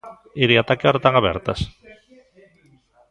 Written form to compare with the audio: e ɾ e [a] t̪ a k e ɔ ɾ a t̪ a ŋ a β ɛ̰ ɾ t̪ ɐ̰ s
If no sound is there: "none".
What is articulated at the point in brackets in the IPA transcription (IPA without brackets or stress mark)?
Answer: a